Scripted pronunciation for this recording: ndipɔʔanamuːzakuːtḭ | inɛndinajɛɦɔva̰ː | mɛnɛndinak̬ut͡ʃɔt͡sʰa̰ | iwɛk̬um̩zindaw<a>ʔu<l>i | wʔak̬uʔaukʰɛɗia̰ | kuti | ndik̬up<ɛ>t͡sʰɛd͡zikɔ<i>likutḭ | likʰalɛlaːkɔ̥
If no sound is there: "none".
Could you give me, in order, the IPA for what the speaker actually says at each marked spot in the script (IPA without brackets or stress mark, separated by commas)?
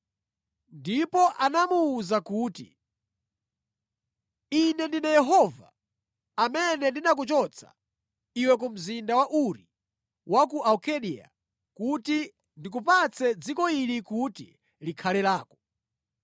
a, ɾ, a, i